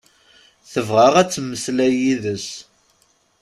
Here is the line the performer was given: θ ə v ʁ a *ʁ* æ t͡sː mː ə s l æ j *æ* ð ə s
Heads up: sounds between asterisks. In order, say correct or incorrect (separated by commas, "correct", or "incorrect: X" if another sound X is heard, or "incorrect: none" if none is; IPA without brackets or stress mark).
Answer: correct, incorrect: i